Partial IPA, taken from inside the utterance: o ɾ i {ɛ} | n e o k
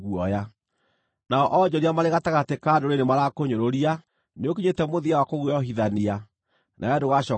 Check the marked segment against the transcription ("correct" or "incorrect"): incorrect